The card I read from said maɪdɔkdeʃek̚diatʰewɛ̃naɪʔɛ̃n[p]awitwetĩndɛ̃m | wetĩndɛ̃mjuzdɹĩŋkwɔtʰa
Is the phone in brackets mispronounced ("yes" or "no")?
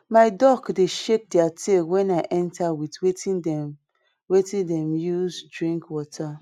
yes